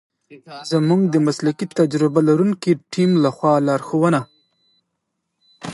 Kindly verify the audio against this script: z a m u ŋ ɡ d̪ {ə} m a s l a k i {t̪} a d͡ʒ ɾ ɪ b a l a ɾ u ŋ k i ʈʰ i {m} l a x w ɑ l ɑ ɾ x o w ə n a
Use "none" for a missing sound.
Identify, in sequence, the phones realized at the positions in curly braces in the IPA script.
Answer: ə, t̪, m

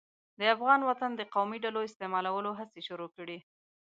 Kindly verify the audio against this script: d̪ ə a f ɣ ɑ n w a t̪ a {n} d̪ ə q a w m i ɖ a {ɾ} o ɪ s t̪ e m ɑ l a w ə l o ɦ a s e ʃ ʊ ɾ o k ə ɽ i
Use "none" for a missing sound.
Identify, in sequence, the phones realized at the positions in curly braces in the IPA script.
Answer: n, l

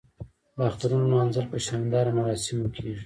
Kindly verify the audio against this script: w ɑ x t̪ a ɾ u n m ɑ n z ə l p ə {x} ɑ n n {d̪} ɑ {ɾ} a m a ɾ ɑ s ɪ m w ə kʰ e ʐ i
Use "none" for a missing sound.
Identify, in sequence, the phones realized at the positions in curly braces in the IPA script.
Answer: ʃ, d̪, ɾ

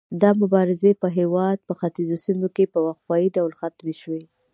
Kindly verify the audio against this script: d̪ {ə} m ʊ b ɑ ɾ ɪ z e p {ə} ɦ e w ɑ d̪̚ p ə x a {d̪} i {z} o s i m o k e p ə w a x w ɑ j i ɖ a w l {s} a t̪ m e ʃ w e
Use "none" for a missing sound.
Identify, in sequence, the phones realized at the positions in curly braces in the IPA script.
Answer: ɑ, ə, t̪, z, x

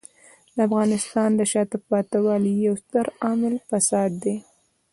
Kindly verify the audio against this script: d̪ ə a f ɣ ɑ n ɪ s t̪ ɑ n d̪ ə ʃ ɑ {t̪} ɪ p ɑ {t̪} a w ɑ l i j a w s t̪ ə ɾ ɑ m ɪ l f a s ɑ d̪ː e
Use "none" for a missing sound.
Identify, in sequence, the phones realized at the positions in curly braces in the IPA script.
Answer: t̪, t̪

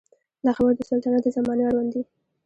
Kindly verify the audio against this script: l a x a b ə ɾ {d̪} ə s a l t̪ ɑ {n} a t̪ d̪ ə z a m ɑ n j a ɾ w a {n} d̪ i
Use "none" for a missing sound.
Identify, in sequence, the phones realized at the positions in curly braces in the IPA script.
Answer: d̪, n, n

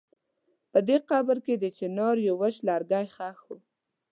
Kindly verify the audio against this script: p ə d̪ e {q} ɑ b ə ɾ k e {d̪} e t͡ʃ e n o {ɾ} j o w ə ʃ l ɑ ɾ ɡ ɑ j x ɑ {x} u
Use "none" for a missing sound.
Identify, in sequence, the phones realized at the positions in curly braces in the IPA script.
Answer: q, d̪, ɾ, x

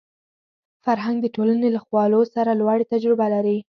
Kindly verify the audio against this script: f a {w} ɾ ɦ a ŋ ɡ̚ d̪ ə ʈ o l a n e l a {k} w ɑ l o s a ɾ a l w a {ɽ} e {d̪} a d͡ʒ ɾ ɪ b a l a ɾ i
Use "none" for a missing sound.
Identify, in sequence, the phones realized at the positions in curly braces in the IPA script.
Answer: none, x, ɽ, t̪

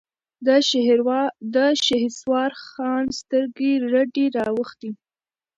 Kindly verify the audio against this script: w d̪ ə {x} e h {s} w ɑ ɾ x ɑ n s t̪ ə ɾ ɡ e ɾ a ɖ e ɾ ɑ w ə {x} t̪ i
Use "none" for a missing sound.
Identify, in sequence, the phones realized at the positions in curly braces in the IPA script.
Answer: ʃ, s, x

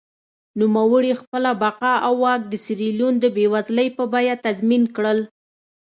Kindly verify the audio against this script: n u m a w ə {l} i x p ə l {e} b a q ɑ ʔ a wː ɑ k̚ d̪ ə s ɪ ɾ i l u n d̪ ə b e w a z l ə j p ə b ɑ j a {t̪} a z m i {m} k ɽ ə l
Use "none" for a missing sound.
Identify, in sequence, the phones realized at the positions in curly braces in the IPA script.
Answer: ɽ, a, t̪, n

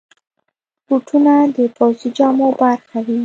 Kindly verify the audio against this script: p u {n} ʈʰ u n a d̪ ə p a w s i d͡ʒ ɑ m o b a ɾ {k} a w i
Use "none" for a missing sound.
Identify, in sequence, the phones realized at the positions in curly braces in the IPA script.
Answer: none, x

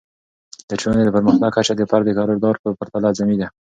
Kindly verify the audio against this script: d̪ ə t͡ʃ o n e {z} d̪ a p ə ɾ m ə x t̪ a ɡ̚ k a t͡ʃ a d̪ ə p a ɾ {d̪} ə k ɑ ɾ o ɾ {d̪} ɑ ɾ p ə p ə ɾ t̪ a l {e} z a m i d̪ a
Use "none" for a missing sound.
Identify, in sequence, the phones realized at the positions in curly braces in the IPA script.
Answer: none, d̪, d̪, a

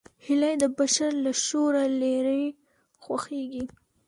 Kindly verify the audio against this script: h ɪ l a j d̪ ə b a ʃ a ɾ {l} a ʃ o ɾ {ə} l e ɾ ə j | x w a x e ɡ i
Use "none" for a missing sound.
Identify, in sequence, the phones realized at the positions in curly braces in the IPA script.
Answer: l, a

